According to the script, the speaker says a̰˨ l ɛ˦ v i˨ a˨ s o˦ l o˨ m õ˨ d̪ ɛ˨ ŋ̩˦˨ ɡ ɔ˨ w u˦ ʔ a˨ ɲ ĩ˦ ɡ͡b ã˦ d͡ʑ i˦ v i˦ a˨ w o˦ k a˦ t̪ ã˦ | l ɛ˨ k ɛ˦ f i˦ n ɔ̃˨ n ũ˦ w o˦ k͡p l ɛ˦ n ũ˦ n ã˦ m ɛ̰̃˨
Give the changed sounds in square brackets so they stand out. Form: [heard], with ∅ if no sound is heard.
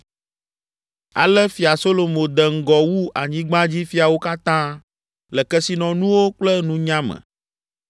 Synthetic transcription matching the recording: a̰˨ l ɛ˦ [f] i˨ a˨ s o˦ l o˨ m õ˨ d̪ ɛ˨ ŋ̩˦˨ ɡ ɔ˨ w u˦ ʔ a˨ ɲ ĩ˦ ɡ͡b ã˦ d͡ʑ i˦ [f] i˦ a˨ w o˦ k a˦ t̪ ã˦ | l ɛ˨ k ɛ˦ [s] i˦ n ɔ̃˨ n ũ˦ w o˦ k͡p l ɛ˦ n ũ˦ [ɲ] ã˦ m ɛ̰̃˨